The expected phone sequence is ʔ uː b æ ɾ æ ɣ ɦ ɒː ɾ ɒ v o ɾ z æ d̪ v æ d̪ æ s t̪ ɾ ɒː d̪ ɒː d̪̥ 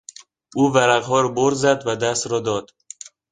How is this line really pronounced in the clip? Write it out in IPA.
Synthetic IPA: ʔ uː v æ ɾ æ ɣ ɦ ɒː ɾ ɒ b o ɾ z æ d̪ v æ d̪ æ s t̪ ɾ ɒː d̪ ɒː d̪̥